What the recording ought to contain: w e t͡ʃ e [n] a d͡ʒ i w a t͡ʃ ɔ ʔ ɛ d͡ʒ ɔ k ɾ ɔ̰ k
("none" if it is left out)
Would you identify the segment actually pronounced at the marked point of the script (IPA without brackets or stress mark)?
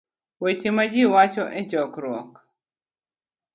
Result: m